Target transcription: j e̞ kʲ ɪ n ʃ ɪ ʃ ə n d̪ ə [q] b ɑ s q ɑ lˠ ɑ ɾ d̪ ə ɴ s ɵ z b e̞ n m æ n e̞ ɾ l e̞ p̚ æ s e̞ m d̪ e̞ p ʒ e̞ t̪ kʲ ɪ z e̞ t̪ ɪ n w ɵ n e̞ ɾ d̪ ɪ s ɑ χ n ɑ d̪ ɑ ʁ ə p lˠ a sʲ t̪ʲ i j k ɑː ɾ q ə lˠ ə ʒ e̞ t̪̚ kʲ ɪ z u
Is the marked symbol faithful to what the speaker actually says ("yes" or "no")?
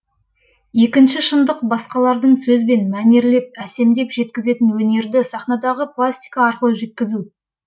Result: yes